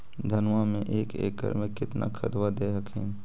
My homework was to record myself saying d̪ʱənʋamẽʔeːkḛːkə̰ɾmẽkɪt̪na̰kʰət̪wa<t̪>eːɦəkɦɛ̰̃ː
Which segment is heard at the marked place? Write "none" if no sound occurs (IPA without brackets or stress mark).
d̪